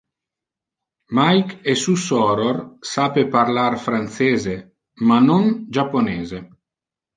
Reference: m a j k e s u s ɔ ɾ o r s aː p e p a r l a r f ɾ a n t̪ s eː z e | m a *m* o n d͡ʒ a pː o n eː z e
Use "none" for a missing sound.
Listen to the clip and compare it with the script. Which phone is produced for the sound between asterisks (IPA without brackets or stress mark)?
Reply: n